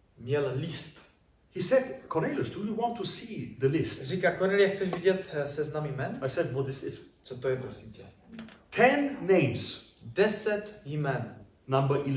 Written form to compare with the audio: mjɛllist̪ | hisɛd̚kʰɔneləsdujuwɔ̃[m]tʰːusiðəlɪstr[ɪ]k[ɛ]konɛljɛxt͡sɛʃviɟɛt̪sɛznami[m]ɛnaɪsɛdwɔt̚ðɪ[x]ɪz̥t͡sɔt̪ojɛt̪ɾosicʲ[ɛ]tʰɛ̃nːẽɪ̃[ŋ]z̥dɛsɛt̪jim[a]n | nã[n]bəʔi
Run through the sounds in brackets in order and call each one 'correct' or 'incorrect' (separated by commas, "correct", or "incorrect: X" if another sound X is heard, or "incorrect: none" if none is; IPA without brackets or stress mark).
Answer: incorrect: n, incorrect: i, incorrect: a, correct, incorrect: s, correct, incorrect: m, incorrect: ɛ, incorrect: m